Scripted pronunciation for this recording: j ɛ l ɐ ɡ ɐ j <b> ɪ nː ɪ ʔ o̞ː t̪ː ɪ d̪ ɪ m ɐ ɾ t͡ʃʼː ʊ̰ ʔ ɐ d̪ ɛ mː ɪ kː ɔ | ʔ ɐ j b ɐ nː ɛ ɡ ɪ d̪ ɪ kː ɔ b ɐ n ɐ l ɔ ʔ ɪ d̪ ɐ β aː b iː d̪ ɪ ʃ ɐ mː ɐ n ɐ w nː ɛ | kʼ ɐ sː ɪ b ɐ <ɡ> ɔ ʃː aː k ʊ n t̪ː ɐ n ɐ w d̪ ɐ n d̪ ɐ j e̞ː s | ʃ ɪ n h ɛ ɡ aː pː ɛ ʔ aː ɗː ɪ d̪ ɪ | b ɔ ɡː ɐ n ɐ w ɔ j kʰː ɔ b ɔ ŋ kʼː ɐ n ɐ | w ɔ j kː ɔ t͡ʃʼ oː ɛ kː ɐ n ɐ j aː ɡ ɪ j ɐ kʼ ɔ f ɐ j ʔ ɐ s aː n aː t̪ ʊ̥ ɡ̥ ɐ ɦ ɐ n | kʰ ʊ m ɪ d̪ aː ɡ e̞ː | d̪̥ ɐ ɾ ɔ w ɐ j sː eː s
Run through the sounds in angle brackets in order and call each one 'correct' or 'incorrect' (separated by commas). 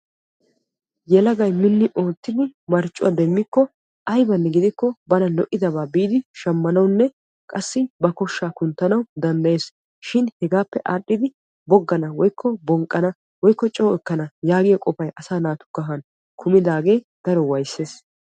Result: incorrect, incorrect